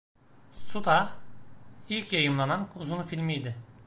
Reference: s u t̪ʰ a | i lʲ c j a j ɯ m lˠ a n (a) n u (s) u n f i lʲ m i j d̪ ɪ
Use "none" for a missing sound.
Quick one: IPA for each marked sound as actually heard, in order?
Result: a, z

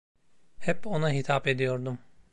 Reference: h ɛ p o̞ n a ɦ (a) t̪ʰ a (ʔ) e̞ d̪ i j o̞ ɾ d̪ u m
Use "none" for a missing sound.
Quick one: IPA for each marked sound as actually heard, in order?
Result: i, p

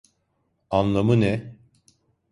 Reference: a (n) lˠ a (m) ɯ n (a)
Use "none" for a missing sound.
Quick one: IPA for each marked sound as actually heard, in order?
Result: n, m, ɛ

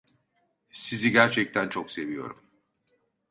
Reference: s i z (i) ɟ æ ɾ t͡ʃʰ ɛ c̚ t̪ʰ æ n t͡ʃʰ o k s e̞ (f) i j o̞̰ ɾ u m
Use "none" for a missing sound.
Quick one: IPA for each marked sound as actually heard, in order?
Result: i, v

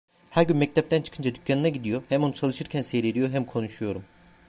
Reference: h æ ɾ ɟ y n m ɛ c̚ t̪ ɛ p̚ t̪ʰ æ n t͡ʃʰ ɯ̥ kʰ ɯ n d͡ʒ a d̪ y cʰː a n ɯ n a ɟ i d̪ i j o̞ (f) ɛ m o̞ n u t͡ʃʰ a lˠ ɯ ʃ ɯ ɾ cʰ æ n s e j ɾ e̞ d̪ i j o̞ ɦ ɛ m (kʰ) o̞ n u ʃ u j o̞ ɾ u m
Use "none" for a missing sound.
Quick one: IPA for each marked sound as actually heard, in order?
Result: h, kʰ

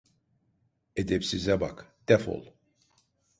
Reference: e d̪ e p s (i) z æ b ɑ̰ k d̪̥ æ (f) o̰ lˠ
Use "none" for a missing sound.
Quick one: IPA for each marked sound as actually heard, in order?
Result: i, f

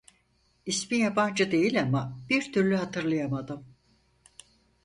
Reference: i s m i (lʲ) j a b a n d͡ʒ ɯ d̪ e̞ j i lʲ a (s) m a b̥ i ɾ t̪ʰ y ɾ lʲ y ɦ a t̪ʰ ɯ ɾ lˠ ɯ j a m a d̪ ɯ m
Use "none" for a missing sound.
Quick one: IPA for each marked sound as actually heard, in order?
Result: none, none

